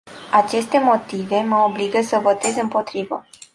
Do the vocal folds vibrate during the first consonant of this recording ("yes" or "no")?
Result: no